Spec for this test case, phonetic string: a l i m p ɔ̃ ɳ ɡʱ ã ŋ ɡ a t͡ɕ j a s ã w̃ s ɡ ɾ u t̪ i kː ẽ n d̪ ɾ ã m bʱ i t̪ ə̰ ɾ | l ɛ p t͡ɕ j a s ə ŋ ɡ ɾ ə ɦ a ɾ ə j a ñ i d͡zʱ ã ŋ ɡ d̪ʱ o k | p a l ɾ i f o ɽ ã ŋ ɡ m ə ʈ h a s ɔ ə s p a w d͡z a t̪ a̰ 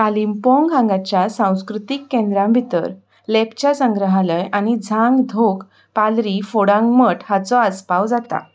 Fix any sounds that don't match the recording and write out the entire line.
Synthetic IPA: a l i m p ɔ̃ ŋ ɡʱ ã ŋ ɡ a t͡ɕ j a s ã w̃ s k ɾ u t̪ i kː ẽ n d̪ ɾ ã m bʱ i t̪ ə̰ ɾ | l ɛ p t͡ɕ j a s ə ŋ ɡ ɾ ə ɦ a l ə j a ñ i d͡zʱ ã ŋ ɡ d̪ʱ o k | p a l ɾ i f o ɽ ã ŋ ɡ m ə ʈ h a t͡s ɔ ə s p a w d͡z a t̪ a̰

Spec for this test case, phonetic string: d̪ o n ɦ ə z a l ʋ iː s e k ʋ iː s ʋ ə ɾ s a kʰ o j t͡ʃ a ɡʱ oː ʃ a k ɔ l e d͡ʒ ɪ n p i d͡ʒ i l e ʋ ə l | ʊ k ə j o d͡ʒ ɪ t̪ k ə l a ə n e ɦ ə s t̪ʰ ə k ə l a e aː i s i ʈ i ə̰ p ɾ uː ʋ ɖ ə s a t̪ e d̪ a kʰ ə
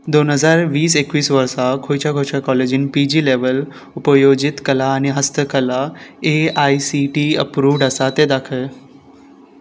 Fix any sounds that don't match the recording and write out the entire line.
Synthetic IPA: d̪ o n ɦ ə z a ɾ ʋ iː s e k ʋ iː s ʋ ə ɾ s a kʰ o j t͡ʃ a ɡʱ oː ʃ a k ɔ l e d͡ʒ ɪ n p i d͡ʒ i l e ʋ ə l | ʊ p ə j o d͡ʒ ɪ t̪ k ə l a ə n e ɦ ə s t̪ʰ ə k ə l a e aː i s i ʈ i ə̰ p ɾ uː ʋ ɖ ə s a t̪ e d̪ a kʰ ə

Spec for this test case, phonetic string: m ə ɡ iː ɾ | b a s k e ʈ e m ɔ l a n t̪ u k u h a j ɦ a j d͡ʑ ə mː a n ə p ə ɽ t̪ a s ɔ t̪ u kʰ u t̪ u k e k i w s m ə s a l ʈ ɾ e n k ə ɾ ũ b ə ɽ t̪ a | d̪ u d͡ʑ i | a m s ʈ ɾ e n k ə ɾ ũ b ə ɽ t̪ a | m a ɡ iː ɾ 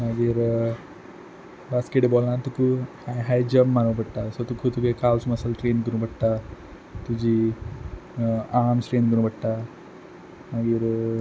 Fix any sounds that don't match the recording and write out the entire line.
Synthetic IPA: m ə ɡ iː ɾ | b a s k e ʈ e b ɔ l a n t̪ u k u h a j ɦ a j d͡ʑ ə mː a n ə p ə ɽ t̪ a s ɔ t̪ u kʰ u t̪ u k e k a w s m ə s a l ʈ ɾ e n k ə ɾ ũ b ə ɽ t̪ a | t̪ u d͡ʑ i | a m s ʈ ɾ e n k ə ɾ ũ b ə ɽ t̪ a | m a ɡ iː ɾ

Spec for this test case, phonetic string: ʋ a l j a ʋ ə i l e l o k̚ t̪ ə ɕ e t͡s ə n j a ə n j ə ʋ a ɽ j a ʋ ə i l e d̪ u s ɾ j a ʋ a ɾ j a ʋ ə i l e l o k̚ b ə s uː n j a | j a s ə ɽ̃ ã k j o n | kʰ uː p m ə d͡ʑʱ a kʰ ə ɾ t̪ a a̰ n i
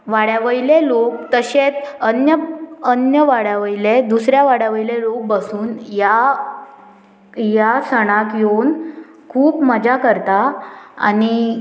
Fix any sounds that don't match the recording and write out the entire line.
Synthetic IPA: ʋ a ɽ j a ʋ ə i l e l o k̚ t̪ ə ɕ e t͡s ə n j ə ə n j ə ʋ a ɽ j a ʋ ə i l e d̪ u s ɾ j a ʋ a ɽ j a ʋ ə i l e l o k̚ b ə s uː n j a | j a s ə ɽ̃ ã k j o n | kʰ uː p m ə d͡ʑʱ a k ə ɾ t̪ a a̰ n i

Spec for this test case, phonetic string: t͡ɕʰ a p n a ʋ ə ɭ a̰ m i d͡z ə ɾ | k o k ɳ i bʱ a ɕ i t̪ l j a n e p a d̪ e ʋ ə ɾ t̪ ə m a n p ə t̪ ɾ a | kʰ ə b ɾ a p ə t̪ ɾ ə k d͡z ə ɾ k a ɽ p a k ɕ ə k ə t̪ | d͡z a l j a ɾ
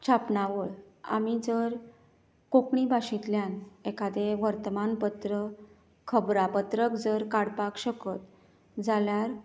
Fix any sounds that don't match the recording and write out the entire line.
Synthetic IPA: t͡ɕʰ a p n a ʋ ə ɭ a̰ m i d͡z ə ɾ | k o k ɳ i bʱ a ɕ i t̪ l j a n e k a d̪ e ʋ ə ɾ t̪ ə m a n p ə t̪ ɾ ə | kʰ ə b ɾ a p ə t̪ ɾ ə k d͡z ə ɾ k a ɽ p a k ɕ ə k ə t̪ | d͡z a l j a ɾ

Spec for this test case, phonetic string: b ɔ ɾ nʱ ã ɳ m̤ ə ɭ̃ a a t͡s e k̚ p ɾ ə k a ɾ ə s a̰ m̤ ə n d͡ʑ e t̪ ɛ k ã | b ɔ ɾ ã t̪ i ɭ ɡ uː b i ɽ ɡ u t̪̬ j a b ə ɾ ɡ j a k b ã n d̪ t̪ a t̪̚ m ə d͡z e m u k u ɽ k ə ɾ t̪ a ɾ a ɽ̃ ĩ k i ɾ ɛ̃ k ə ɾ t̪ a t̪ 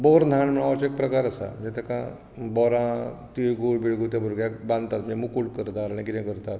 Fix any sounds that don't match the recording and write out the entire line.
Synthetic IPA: b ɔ ɾ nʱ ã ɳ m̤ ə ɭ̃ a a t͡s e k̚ p ɾ ə k a ɾ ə s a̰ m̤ ə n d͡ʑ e t̪ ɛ k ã | b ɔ ɾ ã t̪ i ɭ ɡ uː b i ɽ ɡ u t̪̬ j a b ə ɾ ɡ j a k b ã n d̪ t̪ a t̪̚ m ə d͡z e m u k u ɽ k ə ɾ t̪ a ɾ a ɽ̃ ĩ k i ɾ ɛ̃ k ə ɾ t̪ a t̪

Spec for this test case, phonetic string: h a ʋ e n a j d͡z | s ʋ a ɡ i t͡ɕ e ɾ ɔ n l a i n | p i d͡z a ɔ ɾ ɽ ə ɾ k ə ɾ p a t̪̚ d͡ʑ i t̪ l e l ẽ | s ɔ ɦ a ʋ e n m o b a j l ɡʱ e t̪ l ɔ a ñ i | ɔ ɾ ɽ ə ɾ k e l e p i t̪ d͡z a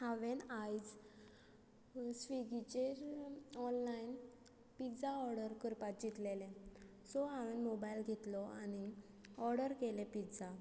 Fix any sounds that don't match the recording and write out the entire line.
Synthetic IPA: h a ʋ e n a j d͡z | s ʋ i ɡ i t͡ɕ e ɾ ɔ n l a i n | p i d͡z a ɔ ɾ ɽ ə ɾ k ə ɾ p a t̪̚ d͡ʑ i t̪ l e l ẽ | s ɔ ɦ a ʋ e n m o b a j l ɡʱ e t̪ l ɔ a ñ i | ɔ ɾ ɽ ə ɾ k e l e p i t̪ d͡z a

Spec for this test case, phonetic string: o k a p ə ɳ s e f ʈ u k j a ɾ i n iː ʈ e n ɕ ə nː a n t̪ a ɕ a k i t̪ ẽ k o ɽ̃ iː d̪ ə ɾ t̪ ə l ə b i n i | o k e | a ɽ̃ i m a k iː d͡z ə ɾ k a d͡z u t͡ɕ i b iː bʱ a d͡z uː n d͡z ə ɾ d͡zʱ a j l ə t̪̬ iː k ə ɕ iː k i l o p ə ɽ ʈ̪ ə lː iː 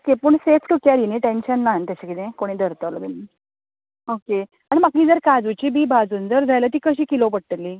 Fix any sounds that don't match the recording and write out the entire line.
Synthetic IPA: o k e p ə ɳ s e f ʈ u k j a ɾ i n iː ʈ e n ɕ ə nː a n t̪ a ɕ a k i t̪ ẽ k o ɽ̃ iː d̪ ə ɾ t̪ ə l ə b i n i | o k e | a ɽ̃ i m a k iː d͡z ə ɾ k a d͡z u t͡ɕ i b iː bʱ a d͡z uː n d͡z ə ɾ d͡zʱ a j l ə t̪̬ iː k ə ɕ iː k i l o p ə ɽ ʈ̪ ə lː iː

